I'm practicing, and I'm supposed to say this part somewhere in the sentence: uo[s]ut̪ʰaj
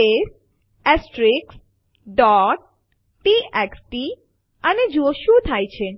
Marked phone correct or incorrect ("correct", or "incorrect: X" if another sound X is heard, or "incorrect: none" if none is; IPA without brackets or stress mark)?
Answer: incorrect: ʃ